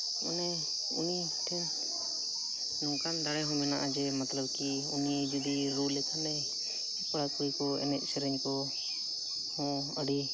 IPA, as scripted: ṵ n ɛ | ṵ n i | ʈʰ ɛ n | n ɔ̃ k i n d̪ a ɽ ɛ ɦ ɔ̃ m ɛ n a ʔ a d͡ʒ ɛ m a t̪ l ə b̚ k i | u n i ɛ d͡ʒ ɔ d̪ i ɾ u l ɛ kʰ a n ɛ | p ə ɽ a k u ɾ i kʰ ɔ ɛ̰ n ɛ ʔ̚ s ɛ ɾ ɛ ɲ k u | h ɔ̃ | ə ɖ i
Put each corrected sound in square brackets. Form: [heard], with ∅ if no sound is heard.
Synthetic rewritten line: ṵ n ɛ | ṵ n i | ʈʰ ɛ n | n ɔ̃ k [a] n d̪ a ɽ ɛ ɦ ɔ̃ m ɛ n a ʔ a d͡ʒ ɛ m a t̪ l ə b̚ k i | u n i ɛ d͡ʒ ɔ d̪ i ɾ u l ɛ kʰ a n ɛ | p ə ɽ a k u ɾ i [k] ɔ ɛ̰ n ɛ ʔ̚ s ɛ ɾ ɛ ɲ k [ɔ] | h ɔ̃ | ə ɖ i